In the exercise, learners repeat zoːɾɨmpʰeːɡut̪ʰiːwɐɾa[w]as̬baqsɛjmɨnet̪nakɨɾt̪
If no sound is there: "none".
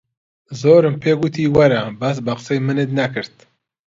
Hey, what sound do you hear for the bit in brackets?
b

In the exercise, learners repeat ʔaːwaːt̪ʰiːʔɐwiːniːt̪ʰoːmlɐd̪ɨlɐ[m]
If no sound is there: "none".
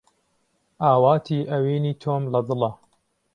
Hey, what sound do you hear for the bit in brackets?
none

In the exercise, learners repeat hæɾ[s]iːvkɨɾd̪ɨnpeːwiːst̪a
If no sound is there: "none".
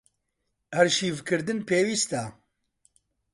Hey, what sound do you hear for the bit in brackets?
ʃ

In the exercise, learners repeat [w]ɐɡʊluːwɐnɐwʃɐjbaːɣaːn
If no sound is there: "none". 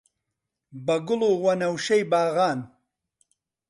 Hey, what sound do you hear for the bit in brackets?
b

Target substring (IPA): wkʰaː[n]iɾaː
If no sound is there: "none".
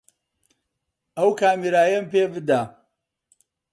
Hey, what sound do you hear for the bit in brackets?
m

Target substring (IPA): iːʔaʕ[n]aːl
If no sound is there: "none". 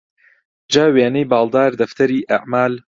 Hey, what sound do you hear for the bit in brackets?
m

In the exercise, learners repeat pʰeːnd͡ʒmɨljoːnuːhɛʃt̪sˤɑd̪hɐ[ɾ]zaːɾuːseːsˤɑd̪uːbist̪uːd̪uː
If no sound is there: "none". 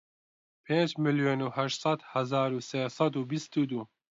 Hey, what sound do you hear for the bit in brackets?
none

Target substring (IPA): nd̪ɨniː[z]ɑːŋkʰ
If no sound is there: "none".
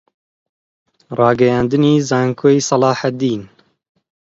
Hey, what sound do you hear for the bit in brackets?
z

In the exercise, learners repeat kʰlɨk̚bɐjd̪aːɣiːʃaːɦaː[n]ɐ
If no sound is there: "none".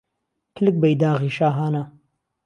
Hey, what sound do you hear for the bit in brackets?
n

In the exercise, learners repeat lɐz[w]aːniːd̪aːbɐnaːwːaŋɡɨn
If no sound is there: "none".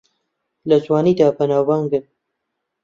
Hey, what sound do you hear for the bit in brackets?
w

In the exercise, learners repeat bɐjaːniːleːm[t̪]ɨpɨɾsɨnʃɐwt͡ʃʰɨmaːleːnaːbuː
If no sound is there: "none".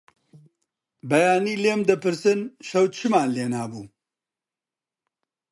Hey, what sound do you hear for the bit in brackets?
d̪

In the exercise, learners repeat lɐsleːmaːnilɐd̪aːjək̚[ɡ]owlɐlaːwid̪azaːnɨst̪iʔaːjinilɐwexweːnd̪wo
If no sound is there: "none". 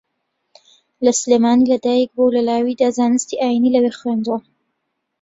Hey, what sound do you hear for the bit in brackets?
b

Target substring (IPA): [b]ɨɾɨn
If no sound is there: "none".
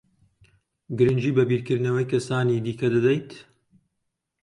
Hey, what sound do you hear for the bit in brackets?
ɡ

